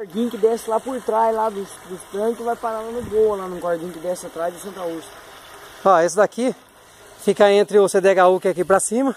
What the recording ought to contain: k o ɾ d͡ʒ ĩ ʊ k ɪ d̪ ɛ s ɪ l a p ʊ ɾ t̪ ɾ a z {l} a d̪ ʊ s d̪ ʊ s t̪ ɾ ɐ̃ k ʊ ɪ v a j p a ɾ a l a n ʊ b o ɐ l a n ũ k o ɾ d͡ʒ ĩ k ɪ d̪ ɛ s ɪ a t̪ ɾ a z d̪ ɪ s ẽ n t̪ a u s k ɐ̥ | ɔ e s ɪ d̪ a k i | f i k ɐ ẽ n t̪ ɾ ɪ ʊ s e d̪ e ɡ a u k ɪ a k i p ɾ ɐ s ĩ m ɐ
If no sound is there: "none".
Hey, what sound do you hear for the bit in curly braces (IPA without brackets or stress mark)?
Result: l